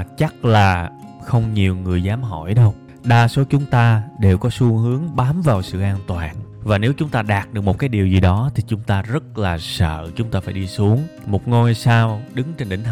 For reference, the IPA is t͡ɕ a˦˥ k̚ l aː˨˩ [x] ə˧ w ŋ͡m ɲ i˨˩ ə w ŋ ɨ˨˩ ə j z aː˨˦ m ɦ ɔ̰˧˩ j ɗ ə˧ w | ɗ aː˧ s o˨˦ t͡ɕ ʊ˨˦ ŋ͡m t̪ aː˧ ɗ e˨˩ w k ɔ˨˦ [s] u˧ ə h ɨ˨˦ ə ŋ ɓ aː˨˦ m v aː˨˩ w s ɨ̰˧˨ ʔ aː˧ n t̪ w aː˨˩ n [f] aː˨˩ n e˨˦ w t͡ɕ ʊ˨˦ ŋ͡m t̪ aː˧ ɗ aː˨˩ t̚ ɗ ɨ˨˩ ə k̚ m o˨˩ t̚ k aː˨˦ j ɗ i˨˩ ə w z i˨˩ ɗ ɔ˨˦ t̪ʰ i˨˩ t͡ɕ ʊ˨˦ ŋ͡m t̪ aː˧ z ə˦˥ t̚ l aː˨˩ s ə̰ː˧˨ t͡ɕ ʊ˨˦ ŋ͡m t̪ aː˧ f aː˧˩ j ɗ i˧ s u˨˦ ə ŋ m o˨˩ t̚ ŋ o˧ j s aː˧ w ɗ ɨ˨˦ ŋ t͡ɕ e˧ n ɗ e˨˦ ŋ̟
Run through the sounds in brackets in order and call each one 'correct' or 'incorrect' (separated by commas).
correct, correct, incorrect